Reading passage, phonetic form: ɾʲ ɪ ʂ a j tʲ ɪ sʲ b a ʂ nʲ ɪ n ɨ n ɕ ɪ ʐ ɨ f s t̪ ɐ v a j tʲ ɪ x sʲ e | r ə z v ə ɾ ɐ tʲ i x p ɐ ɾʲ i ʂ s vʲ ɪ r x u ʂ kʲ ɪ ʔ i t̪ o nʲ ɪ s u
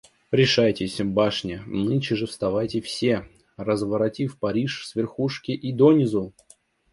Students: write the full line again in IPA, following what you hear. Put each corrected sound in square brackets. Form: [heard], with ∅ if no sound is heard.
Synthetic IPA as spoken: ɾʲ ɪ ʂ a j tʲ ɪ sʲ b a ʂ nʲ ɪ n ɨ n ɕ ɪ ʐ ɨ f s t̪ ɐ v a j tʲ ɪ [f] sʲ e | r ə z v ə ɾ ɐ tʲ i [f] p ɐ ɾʲ i ʂ s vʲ ɪ r x u ʂ kʲ ɪ ʔ i [d̪] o nʲ ɪ [z] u

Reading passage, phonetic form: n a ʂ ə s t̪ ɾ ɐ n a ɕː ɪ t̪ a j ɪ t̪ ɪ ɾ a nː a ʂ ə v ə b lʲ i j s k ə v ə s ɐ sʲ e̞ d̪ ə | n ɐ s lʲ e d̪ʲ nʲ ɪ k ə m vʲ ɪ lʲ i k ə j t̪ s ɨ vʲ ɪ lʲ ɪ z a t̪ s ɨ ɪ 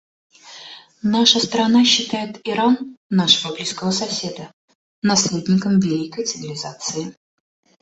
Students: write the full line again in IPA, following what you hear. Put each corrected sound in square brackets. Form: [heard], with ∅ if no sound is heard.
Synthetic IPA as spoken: n a ʂ ə s t̪ ɾ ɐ n a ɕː ɪ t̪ a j ɪ t̪ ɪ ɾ a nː a ʂ ə v ə b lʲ i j s k ə v ə s ɐ sʲ e̞ d̪ ə | n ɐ s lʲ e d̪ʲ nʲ ɪ k ə m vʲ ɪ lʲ i k ə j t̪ s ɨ vʲ ɪ lʲ ɪ z a t̪ s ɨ ɪ

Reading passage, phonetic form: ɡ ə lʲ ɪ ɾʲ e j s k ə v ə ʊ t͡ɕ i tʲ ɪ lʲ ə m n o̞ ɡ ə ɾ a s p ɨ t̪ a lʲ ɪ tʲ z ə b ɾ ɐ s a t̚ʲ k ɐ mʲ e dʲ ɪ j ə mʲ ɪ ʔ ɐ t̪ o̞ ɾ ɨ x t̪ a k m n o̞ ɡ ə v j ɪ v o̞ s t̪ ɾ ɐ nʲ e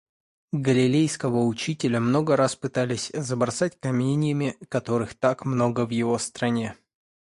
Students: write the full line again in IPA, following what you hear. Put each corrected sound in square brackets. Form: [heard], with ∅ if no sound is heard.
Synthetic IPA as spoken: ɡ ə lʲ ɪ [lʲ] e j s k ə v ə ʊ t͡ɕ i tʲ ɪ lʲ ə m n o̞ ɡ ə ɾ a s p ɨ t̪ a lʲ ɪ [sʲ] z ə b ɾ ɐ s a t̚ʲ k ɐ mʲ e [nʲ] ɪ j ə mʲ ɪ [k] ɐ t̪ o̞ ɾ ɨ x t̪ a k m n o̞ ɡ ə v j ɪ v o̞ s t̪ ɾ ɐ nʲ e

